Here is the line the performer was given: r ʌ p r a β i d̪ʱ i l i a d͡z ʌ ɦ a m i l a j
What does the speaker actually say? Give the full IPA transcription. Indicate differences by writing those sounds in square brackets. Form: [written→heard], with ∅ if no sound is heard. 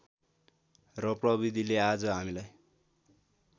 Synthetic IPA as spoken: r ʌ p r [a→ʌ] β i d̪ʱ i l [i→e] a d͡z ʌ ɦ a m i l a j